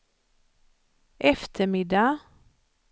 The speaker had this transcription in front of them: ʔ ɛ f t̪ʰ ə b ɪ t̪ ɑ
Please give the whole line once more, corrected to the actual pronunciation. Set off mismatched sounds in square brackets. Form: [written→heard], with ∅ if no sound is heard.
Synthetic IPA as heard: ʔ ɛ f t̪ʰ ə [b→m] ɪ [t̪→d̪] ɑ

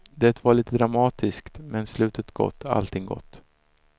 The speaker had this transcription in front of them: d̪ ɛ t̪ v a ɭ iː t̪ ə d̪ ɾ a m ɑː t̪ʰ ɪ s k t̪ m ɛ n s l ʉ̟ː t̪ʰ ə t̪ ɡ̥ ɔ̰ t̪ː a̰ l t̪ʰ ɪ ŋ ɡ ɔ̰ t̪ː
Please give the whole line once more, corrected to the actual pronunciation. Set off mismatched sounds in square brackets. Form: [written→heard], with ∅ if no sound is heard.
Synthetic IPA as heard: d̪ ɛ t̪ v a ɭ iː t̪ ə d̪ ɾ a m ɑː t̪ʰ ɪ s k t̪ m ɛ n s l ʉ̟ː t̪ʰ ə t̪ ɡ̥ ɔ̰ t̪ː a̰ l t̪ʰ ɪ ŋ ɡ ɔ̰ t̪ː

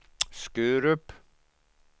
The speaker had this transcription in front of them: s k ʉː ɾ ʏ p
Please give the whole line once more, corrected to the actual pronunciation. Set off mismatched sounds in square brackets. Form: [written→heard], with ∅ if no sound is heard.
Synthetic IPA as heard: s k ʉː ɾ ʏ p

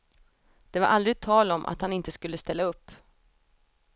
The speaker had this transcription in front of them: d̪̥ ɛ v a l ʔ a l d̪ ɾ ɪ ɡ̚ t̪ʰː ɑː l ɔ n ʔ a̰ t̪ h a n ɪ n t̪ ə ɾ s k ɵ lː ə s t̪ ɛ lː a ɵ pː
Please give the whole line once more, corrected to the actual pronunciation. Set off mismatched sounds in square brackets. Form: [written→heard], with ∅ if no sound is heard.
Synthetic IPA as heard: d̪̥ ɛ v a [l→ɾ] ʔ a l d̪ ɾ ɪ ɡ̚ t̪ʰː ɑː l ɔ [n→m] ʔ a̰ t̪ h a n ɪ n t̪ ə [ɾ→∅] s k ɵ lː ə s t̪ ɛ lː a ɵ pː

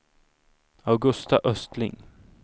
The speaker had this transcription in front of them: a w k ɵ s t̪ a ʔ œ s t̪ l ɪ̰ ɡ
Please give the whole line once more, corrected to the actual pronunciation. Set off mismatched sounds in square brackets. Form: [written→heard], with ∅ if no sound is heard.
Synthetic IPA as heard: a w [k→ɡ] ɵ s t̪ a ʔ œ s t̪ l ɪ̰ [ɡ→ŋ]

